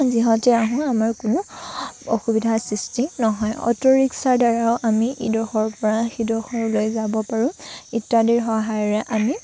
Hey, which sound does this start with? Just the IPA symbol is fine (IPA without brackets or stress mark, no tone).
z